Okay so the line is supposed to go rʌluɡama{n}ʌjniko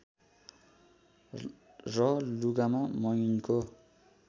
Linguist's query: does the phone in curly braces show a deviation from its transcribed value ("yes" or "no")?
yes